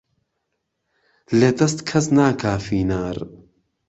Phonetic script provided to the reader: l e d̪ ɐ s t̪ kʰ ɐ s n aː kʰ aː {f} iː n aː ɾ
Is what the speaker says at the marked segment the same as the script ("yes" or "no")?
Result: yes